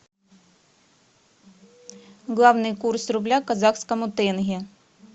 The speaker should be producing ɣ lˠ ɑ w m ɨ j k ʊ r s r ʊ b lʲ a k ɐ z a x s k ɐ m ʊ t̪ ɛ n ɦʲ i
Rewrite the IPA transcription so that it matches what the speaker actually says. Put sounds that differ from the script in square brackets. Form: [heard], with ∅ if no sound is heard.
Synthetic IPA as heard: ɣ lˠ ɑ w [n] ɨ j k [u] r s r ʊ b lʲ a k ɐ z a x s k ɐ m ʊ t̪ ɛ n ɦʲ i